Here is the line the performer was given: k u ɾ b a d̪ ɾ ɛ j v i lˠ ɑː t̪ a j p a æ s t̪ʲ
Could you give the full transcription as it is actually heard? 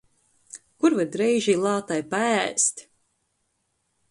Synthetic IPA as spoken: k u ɾ v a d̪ ɾ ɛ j ʒ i lˠ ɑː t̪ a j p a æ s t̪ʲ